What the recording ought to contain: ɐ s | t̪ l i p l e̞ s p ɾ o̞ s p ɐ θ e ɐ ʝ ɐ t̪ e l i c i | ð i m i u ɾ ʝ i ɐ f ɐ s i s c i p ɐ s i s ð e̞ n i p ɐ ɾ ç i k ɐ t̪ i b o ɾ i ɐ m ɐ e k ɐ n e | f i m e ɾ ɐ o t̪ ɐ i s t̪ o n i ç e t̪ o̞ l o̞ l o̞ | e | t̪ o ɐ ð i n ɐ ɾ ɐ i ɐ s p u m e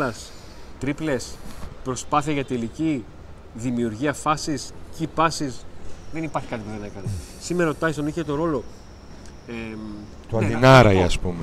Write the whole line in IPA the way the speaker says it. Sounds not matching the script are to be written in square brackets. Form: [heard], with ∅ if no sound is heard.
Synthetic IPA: ɐ s | t̪ [ɾ] i p l e̞ s p ɾ o̞ s p ɐ θ [i] ɐ ʝ ɐ t̪ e l i c i | ð i m i u ɾ ʝ i ɐ f ɐ s i s c i p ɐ s i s ð e̞ n i p ɐ ɾ ç i k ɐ t̪ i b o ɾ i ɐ [n] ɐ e k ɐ n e | [s] i m e ɾ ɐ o t̪ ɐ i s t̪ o n i ç e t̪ o̞ [ɾ] o̞ l o̞ | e | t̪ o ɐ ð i n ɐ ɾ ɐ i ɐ s p u m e